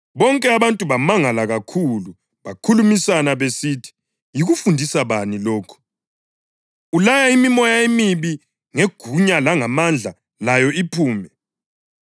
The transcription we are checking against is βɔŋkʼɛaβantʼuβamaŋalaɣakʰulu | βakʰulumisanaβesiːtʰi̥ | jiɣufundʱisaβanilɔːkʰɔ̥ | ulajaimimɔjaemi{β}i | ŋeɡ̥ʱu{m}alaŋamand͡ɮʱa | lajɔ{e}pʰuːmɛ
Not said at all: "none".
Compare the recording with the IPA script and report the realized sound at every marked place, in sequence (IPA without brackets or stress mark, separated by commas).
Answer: β, ɲ, i